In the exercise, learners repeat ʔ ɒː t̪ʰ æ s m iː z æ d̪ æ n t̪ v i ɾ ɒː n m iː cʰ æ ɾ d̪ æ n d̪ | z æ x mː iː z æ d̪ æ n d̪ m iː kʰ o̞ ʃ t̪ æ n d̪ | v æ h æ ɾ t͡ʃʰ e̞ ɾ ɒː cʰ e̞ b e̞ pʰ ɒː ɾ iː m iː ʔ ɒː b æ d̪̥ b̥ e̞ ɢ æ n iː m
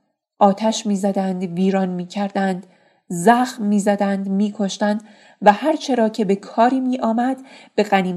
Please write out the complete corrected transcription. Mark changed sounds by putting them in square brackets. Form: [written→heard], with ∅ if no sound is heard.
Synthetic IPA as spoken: ʔ ɒː t̪ʰ æ [s→ʃ] m iː z æ d̪ æ n [t̪→d̪] v [i→iː] ɾ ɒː n m iː cʰ æ ɾ d̪ æ n d̪ | z æ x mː iː z æ d̪ æ n d̪ m iː kʰ o̞ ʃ t̪ æ n d̪ | v æ h æ ɾ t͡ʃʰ e̞ ɾ ɒː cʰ e̞ b e̞ [pʰ→kʰ] ɒː ɾ iː m iː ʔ ɒː [b→m] æ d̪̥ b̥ e̞ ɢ æ n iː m